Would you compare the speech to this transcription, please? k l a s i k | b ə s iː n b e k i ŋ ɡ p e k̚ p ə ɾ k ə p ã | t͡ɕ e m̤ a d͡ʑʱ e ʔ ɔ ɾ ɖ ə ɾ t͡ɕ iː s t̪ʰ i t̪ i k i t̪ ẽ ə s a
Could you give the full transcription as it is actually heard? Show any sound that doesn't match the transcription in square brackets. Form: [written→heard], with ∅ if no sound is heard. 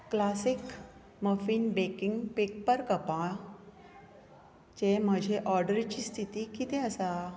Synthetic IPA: k l a s i k | [b→m] ə [s→f] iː n b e k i ŋ ɡ p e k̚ p ə ɾ k ə p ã | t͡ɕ e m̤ [a→ə] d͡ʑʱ e ʔ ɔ ɾ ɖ ə ɾ t͡ɕ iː s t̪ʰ i t̪ i k i t̪ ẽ ə s a